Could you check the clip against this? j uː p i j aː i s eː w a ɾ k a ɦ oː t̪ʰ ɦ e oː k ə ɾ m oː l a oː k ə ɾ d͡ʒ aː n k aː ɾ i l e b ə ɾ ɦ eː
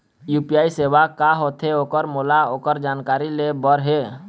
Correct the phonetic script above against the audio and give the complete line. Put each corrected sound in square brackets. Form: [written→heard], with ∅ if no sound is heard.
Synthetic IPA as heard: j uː p i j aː i s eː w a [ɾ→∅] k a ɦ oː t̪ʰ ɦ e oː k ə ɾ m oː l a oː k ə ɾ d͡ʒ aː n k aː ɾ i l e b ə ɾ ɦ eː